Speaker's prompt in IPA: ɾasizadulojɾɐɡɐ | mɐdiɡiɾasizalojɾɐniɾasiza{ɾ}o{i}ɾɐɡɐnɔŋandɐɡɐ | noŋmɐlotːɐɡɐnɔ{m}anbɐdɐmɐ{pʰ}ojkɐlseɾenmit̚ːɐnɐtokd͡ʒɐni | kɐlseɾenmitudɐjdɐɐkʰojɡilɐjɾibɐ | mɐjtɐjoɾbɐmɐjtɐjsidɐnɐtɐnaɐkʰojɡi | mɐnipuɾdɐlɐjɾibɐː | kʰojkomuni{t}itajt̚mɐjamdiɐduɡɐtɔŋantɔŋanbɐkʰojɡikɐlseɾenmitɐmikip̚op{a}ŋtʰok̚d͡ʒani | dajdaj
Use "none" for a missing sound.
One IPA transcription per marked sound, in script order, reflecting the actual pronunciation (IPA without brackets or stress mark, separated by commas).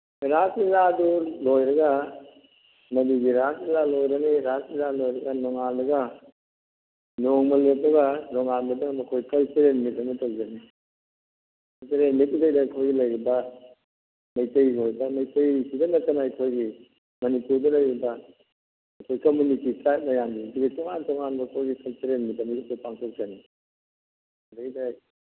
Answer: l, j, ŋ, kʰ, t, a